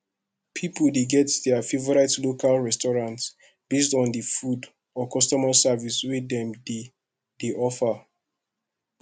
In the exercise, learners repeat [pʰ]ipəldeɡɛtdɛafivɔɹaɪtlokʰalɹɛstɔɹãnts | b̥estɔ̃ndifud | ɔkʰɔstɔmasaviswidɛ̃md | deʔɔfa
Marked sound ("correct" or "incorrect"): correct